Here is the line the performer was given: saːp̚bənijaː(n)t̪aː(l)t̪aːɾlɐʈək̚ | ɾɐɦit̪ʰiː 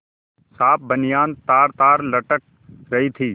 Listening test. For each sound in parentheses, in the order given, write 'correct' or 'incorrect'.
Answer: correct, incorrect: ɾ

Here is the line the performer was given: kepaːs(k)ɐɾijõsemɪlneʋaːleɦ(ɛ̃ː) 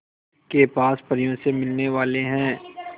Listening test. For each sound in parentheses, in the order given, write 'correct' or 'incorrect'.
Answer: incorrect: p, correct

